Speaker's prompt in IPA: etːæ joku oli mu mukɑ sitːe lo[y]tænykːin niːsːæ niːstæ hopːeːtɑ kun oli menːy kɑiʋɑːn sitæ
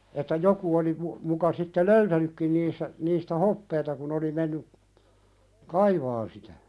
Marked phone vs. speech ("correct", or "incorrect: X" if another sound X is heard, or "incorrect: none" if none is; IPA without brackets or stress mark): correct